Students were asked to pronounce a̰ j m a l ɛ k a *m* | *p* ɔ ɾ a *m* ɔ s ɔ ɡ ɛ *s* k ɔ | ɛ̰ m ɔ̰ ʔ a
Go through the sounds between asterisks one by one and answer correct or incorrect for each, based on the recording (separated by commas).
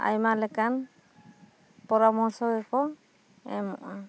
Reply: incorrect, correct, correct, incorrect